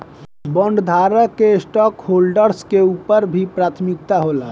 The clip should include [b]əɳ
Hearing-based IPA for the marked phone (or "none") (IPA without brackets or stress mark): b